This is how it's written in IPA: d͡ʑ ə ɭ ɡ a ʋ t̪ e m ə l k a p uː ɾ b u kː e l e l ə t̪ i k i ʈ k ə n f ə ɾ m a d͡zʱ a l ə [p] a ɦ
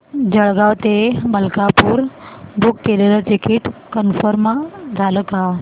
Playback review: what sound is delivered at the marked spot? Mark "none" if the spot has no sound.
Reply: k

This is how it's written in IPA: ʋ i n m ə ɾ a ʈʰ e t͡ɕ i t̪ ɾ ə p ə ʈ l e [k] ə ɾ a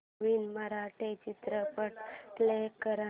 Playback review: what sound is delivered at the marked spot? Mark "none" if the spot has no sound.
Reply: k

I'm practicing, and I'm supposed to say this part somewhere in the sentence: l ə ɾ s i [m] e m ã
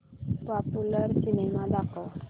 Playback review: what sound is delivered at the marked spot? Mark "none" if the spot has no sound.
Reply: n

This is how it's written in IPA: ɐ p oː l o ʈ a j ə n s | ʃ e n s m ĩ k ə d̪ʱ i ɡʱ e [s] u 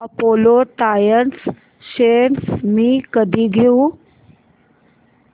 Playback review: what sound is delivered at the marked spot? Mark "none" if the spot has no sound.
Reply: none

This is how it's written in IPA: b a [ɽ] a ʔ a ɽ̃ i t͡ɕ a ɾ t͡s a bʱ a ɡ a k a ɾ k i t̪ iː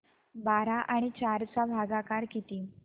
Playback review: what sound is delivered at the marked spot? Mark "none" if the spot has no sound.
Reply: ɾ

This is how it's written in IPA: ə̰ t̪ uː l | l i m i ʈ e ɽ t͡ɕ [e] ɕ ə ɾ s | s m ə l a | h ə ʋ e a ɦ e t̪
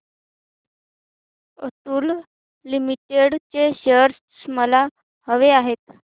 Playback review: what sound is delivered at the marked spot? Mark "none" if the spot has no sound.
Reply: e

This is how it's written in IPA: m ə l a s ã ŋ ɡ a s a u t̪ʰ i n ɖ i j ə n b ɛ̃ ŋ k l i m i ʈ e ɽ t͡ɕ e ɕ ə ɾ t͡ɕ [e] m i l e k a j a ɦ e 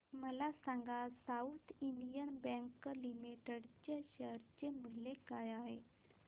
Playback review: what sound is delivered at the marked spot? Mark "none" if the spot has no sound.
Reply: e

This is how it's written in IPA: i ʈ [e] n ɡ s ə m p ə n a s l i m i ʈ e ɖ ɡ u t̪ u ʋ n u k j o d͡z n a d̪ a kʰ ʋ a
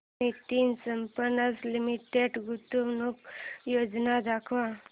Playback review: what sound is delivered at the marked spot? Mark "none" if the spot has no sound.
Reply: i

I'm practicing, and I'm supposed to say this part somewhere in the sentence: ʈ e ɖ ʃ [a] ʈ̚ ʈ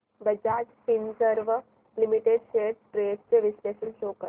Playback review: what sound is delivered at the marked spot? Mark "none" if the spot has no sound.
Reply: e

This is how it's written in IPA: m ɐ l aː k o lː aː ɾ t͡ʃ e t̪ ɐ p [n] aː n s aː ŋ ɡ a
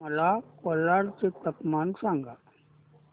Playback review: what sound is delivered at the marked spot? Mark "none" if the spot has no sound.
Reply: m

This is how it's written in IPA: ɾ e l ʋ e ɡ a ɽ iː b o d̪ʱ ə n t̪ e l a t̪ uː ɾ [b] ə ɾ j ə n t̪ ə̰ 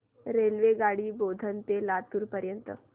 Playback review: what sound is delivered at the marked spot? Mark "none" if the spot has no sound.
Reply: p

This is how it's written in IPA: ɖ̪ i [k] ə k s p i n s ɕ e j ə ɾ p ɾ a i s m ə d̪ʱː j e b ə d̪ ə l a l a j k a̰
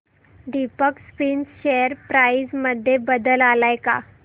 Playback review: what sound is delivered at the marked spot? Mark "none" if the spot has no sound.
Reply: p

